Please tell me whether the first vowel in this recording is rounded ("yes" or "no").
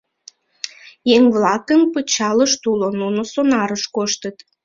no